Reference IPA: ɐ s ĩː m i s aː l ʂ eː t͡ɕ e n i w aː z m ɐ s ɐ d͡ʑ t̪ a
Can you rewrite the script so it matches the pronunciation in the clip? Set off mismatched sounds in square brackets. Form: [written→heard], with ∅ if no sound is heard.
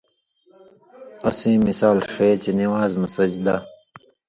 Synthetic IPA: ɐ s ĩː m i s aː l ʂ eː t͡ɕ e n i w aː z m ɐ s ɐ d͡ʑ [t̪→d̪] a